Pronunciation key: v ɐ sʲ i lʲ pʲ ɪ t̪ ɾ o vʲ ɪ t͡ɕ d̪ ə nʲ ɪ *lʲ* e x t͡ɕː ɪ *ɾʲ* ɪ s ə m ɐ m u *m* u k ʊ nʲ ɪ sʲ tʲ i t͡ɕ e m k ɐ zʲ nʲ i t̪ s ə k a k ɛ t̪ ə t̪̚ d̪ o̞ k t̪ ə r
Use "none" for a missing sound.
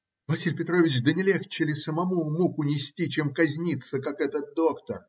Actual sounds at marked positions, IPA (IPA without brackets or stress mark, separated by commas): lʲ, lʲ, m